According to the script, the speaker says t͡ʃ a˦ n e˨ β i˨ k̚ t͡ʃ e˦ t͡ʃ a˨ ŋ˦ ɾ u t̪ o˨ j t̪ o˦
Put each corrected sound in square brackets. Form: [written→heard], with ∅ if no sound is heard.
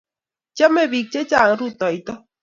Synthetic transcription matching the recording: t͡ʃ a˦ [n→m] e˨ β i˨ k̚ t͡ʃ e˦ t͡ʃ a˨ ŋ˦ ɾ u t̪ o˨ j t̪ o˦